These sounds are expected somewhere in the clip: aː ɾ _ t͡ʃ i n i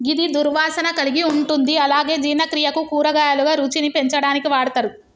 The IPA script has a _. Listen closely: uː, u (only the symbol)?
uː